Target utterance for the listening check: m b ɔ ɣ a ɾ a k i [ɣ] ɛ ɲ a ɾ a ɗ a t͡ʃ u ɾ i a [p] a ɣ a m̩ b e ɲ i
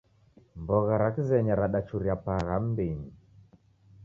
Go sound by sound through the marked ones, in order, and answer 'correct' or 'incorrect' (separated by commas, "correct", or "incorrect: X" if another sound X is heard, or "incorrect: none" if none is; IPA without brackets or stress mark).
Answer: incorrect: z, correct